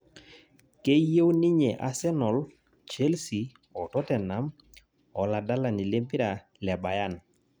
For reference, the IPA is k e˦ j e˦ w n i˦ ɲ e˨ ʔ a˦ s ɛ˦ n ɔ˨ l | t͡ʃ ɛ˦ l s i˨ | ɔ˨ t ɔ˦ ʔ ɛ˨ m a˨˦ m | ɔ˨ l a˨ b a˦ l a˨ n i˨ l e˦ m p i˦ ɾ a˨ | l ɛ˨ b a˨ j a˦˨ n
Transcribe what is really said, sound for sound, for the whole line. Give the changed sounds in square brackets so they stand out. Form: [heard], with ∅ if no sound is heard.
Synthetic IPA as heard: k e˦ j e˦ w n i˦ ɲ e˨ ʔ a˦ s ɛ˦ n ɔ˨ l | t͡ʃ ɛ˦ l s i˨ | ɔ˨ t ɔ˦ [t] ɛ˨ [n] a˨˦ m | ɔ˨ l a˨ [d] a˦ l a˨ n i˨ l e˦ m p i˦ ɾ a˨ | l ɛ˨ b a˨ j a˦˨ n